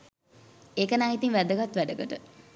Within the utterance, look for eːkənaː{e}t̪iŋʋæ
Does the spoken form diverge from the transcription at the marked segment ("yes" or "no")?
yes